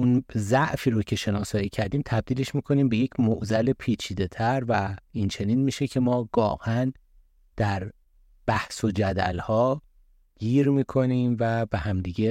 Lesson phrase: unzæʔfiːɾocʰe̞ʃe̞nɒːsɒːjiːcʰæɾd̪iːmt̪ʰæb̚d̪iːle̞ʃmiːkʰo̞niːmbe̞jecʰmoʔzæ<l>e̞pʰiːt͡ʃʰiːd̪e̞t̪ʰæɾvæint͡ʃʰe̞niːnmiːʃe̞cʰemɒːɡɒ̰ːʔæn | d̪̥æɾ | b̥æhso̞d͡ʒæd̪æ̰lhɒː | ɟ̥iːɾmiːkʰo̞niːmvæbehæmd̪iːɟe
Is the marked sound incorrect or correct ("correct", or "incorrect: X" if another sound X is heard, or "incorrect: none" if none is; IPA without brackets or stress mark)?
correct